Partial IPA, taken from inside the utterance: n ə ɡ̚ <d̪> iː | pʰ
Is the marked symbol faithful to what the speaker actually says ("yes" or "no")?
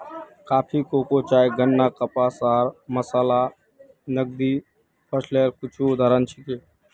yes